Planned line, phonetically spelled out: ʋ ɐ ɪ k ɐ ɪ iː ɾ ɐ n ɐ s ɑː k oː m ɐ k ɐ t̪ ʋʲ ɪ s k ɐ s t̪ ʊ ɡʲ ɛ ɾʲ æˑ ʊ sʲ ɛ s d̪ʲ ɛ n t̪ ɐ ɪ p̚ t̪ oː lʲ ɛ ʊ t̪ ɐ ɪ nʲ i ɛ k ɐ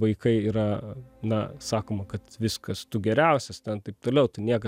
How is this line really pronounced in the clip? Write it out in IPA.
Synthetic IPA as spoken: ʋ ɐ ɪ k ɐ ɪ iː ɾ ɐ n ɐ s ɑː k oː m ɐ k ɐ t̪ ʋʲ ɪ s k ɐ s t̪ ʊ ɡʲ ɛ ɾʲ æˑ ʊ sʲ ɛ s t̪ʲ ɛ n t̪ ɐ ɪ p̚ t̪ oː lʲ ɛ ʊ t̪ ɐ ɪ nʲ i ɛ k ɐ